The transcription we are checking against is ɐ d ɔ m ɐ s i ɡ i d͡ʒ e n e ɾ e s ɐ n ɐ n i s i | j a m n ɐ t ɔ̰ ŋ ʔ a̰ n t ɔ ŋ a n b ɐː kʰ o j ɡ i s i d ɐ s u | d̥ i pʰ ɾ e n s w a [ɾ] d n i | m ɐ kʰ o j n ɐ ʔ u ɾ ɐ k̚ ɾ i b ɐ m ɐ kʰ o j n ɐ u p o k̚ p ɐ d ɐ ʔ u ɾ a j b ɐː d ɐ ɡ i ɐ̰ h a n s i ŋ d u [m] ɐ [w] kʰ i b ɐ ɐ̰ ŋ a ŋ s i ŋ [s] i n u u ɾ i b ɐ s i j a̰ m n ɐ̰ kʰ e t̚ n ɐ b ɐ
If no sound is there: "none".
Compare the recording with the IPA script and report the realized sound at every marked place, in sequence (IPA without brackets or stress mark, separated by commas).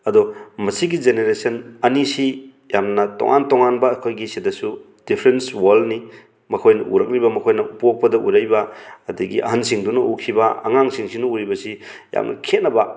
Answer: l, n, u, s